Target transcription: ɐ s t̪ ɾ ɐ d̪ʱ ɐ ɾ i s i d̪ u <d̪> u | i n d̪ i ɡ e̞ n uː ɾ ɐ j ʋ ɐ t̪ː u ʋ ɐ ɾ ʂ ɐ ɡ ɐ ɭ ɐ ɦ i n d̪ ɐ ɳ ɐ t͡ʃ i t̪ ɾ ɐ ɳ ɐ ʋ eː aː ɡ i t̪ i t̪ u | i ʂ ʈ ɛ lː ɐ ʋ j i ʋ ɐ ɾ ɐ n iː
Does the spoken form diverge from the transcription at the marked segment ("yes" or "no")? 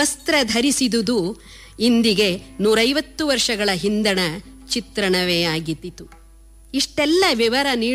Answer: no